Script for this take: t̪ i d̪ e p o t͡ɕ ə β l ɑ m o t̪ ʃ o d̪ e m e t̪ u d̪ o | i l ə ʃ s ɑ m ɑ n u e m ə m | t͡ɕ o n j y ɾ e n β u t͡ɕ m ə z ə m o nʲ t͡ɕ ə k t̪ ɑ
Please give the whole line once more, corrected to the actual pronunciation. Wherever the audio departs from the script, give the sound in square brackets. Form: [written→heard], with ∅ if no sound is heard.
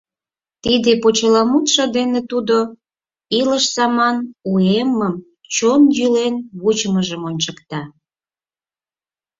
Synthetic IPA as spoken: t̪ i d̪ e p o t͡ɕ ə [β→∅] l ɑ m [o→u] t̪ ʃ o d̪ e [m→n] e t̪ u d̪ o | i l ə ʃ s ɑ m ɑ n u e m ə m | t͡ɕ o n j y [ɾ→l] e n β u t͡ɕ m ə [z→ʒ] ə m o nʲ t͡ɕ ə k t̪ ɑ